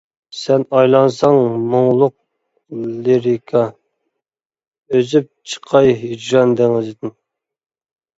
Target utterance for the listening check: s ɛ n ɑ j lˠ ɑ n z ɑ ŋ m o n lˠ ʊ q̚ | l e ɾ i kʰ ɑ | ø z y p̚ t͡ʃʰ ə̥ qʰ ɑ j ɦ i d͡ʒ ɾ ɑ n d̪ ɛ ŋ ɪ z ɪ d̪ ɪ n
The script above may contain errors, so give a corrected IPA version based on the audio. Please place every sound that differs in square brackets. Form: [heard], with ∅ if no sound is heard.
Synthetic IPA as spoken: s ɛ n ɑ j lˠ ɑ n [s] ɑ ŋ m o [ŋ] lˠ ʊ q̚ | l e ɾ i kʰ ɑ | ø z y p̚ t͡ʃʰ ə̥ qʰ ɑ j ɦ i d͡ʒ ɾ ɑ n d̪ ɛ ŋ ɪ z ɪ d̪ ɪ n